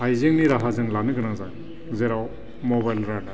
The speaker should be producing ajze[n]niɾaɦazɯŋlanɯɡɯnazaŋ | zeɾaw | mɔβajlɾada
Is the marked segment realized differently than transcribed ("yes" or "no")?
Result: yes